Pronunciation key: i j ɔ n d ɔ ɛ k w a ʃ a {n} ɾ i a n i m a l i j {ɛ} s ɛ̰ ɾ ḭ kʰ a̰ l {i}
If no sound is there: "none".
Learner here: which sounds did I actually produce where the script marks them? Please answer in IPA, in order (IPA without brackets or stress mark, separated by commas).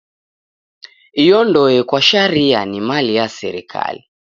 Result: none, a, i